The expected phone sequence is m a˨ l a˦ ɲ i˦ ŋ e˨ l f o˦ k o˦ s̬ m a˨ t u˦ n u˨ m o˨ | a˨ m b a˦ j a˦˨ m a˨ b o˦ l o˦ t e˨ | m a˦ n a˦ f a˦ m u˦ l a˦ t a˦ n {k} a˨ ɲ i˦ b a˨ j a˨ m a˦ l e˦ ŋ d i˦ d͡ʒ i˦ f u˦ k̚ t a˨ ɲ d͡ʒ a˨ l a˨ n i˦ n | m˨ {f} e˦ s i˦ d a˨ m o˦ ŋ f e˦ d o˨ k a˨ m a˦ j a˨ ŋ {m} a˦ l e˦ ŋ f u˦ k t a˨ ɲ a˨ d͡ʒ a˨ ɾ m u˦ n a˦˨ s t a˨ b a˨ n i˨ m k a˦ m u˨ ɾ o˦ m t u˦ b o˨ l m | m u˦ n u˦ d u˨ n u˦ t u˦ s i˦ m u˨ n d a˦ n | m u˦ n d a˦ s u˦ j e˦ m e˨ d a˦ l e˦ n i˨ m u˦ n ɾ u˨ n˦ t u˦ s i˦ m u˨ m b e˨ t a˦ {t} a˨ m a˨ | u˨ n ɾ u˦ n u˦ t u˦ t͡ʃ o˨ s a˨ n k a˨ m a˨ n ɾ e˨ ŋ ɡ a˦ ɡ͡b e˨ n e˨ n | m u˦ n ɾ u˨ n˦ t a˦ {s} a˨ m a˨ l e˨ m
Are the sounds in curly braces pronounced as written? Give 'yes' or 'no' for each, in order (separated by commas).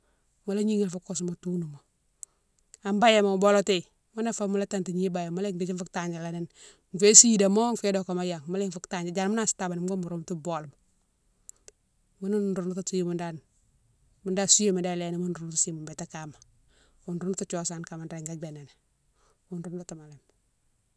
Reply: no, yes, yes, no, no